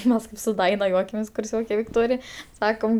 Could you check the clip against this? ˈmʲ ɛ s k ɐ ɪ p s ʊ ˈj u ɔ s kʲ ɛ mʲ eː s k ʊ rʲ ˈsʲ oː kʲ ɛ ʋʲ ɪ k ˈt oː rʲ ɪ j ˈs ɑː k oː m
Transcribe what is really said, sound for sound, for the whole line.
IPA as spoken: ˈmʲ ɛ s k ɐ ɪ p s ʊ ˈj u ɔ kʲ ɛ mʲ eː s k ʊ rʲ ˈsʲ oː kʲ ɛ ʋʲ ɪ k ˈt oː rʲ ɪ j ˈs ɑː k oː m